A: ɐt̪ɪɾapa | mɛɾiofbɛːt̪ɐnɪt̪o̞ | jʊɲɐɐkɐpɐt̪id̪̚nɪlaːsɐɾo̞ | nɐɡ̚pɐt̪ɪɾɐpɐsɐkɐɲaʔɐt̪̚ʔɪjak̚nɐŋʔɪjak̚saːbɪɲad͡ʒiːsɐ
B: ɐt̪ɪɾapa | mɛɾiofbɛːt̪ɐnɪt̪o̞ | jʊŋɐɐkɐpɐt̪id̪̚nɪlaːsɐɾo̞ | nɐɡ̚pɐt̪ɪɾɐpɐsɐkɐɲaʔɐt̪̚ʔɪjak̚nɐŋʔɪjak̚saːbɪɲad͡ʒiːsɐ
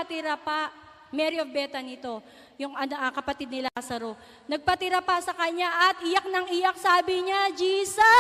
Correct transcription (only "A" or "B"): B